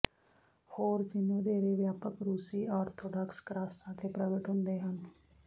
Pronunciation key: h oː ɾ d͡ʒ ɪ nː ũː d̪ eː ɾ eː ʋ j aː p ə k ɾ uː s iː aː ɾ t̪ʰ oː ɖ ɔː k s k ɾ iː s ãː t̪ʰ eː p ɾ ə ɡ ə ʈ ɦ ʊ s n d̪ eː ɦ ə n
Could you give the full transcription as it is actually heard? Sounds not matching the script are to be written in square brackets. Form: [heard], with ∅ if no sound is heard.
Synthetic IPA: h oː ɾ d͡ʒ ɪ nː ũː d̪ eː ɾ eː ʋ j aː p ə k ɾ uː s iː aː ɾ t̪ʰ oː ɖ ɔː k s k ɾ [aː] s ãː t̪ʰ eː p ɾ ə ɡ ə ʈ ɦ ʊ [∅] n d̪ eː ɦ ə n